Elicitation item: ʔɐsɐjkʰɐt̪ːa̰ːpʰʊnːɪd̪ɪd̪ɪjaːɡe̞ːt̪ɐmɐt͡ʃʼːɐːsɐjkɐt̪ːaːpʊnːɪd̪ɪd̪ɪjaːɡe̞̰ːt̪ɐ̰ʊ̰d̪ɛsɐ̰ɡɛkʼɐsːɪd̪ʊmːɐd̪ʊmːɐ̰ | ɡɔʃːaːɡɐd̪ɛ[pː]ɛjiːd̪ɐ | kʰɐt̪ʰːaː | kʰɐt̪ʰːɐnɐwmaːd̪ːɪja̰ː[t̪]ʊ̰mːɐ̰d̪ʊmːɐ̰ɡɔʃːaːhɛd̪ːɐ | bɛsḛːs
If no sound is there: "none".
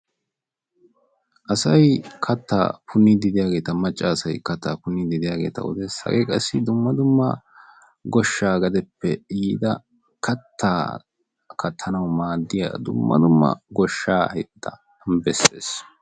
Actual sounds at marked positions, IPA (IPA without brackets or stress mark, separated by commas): pː, d̪